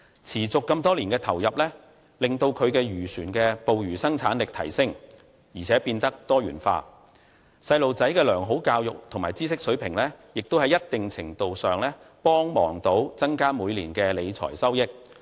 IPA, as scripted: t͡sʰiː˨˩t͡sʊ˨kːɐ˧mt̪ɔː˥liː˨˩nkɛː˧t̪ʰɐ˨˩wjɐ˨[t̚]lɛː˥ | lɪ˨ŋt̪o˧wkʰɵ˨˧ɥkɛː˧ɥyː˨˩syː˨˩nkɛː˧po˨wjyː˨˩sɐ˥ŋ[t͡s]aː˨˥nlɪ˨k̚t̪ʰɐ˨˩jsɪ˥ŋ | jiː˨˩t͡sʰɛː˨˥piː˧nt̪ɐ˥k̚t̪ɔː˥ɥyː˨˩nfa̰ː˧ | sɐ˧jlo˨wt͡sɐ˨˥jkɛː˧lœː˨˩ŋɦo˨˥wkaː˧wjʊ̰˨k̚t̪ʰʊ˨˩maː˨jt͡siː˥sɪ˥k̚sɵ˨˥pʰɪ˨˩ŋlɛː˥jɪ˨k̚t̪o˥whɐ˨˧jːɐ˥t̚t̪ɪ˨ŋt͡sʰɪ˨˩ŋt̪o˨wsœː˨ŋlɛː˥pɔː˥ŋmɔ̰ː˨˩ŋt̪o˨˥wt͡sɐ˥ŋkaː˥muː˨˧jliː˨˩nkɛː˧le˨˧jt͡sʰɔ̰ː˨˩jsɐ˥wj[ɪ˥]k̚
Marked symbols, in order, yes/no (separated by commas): no, no, yes